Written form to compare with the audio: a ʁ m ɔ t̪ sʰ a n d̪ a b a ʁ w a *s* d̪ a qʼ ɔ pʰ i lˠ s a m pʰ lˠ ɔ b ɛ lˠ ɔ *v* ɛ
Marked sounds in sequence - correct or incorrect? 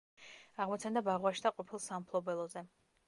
incorrect: ʃ, incorrect: z

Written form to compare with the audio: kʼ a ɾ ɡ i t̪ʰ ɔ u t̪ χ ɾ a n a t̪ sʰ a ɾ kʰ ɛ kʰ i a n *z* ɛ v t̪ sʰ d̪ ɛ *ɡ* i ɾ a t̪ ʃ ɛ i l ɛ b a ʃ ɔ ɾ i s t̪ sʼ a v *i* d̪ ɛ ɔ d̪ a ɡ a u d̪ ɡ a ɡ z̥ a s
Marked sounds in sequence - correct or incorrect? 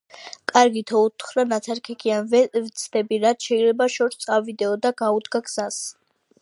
incorrect: v, incorrect: b, correct

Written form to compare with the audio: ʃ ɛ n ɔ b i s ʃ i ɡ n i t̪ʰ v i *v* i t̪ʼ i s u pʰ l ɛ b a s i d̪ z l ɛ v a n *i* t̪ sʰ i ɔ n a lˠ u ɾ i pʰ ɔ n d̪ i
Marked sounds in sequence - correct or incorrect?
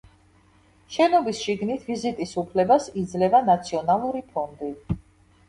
incorrect: z, incorrect: a

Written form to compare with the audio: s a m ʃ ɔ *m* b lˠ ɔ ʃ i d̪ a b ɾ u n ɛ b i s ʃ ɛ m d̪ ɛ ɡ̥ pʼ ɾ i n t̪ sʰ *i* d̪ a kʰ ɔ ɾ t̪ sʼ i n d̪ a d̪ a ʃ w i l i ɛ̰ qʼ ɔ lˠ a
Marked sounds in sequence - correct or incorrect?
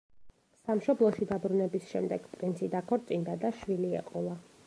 incorrect: none, correct

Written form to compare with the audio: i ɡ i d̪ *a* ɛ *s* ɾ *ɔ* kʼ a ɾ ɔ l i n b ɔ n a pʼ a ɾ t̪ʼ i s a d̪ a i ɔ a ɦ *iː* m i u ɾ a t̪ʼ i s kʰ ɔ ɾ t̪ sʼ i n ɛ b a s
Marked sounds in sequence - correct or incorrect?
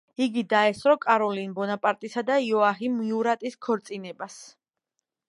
correct, correct, correct, incorrect: i

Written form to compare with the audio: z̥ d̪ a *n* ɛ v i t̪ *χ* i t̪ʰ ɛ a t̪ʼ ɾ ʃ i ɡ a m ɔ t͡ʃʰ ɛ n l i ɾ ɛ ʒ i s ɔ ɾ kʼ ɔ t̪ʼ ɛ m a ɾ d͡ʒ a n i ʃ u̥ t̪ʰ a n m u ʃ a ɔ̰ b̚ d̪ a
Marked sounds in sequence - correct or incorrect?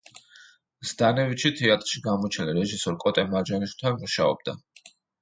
correct, incorrect: ʃ

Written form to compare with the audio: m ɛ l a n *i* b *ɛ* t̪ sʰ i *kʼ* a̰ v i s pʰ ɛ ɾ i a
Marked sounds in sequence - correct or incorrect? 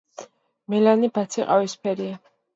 correct, incorrect: a, incorrect: qʼ

